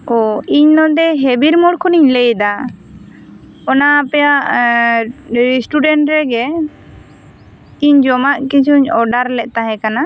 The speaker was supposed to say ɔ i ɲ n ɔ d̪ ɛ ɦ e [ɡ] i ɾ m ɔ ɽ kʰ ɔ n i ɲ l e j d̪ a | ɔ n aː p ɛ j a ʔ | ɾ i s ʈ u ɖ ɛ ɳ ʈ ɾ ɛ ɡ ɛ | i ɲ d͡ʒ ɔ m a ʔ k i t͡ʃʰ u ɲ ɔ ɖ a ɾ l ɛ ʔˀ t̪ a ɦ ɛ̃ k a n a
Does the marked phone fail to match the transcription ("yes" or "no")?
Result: yes